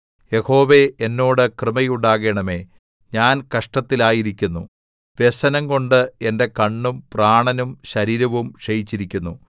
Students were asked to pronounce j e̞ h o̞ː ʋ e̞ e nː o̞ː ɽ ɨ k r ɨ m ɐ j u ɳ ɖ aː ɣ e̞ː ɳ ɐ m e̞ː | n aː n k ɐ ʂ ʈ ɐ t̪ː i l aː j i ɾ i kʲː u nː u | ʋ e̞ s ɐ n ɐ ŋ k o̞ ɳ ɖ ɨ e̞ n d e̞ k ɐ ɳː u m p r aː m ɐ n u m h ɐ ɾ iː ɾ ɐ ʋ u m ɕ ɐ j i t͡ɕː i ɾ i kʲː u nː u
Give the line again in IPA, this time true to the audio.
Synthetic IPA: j e̞ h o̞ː ʋ e̞ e nː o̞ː ɽ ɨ k r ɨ m ɐ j u ɳ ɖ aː ɣ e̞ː ɳ ɐ m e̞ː | ɲ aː n k ɐ ʂ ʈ ɐ t̪ː i l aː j i ɾ i kʲː u nː u | ʋ e̞ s ɐ n ɐ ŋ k o̞ ɳ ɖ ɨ e̞ n d e̞ k ɐ ɳː u m p r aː ɳ ɐ n u m ɕ ɐ ɾ iː ɾ ɐ ʋ u m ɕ ɐ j i t͡ɕː i ɾ i kʲː u nː u